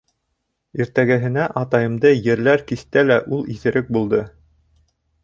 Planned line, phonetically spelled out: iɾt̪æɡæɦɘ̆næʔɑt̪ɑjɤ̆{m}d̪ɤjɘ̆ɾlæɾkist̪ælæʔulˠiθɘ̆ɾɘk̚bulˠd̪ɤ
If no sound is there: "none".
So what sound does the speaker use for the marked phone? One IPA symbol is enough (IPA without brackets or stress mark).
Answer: m